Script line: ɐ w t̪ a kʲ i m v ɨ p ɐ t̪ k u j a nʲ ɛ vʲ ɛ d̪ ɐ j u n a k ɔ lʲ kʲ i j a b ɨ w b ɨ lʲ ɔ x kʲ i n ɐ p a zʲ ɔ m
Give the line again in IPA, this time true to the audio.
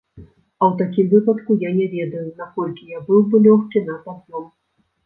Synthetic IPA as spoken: ɐ w t̪ a kʲ i m v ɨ p ɐ t̪ k u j a nʲ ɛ vʲ ɛ d̪ ɐ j u n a k ɔ lʲ kʲ i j a b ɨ w b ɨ lʲ ɔ x kʲ i n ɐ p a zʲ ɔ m